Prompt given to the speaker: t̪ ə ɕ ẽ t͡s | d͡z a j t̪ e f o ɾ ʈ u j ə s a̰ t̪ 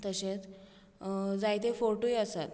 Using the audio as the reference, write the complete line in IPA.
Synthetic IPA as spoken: t̪ ə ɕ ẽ t͡s | d͡z a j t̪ e f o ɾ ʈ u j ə s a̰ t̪